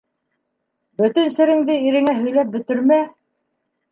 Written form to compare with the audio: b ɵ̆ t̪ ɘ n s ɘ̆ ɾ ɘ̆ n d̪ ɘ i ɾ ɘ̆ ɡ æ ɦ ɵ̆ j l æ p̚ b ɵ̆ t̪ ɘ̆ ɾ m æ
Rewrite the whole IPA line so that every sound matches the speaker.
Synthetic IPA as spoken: b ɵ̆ t̪ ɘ n s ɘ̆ ɾ ɘ̆ ŋ d̪ ɘ i ɾ ɘ̆ ŋ æ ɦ ɵ̆ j l æ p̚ b ɵ̆ t̪ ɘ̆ ɾ m æ